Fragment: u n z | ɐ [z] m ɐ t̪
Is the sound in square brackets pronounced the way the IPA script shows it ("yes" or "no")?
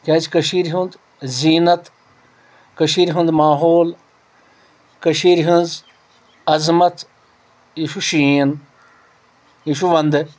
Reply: yes